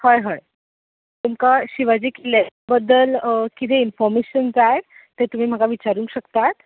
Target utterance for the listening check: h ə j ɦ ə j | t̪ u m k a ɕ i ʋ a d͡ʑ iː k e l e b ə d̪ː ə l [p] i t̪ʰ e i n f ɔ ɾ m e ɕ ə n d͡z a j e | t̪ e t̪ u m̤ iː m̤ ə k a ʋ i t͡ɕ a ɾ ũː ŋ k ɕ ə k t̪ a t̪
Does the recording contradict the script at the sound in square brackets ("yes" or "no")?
yes